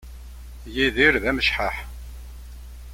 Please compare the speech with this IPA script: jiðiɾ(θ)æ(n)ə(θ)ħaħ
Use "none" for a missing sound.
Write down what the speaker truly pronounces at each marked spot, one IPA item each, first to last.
ð, m, ʃ

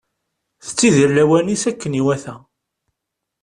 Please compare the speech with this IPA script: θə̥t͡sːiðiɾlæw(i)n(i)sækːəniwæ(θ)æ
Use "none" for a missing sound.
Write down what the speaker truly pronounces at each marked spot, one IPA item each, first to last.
æ, i, θ

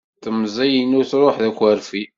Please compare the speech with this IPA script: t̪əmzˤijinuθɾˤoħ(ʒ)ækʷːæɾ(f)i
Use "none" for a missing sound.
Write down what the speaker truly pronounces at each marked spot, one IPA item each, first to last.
ð, f

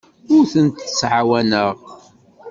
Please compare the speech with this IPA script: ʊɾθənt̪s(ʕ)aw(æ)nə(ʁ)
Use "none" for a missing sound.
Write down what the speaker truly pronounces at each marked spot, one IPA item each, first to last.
ʕ, æ, ʁ

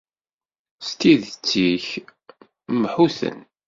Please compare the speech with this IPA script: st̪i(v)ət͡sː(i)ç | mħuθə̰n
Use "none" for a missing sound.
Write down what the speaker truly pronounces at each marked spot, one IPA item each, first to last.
ð, i

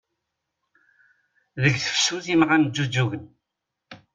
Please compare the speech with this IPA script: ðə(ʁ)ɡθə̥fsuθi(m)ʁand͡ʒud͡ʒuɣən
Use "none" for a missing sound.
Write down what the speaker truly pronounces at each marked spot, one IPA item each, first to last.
none, m

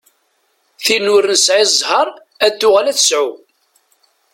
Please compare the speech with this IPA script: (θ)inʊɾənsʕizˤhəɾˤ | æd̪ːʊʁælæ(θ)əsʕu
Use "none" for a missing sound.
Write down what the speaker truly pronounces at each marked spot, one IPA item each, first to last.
θ, θ

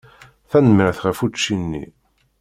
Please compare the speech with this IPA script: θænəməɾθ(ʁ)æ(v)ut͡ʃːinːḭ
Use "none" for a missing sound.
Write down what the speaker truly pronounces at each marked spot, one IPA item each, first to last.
ʁ, f

